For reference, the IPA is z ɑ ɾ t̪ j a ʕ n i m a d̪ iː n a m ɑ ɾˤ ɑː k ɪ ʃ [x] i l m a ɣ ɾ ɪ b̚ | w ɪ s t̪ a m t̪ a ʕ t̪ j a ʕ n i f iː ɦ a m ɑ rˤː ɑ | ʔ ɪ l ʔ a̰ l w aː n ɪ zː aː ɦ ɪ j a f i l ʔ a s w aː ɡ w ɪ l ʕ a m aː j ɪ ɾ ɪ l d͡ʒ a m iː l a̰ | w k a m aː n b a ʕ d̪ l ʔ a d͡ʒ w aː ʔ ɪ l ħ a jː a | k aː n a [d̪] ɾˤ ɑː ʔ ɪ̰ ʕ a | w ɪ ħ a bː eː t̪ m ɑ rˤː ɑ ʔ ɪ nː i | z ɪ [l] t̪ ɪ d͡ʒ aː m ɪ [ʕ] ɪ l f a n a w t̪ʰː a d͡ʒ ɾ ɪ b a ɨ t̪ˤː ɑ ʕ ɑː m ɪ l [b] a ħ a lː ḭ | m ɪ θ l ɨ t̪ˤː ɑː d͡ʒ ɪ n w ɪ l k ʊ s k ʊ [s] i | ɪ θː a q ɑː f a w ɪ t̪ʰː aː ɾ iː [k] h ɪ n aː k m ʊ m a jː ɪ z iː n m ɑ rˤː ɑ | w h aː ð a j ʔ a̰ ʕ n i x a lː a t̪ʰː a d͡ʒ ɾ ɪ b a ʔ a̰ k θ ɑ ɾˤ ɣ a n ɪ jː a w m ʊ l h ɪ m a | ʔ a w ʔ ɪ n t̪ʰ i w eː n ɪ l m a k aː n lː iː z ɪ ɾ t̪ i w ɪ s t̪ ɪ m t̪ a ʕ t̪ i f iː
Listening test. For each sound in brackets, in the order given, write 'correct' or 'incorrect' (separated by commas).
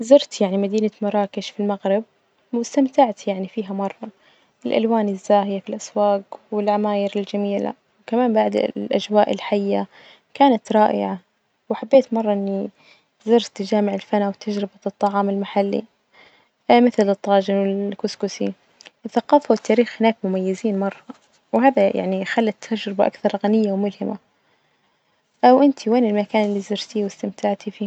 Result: incorrect, incorrect, incorrect, correct, incorrect, correct, incorrect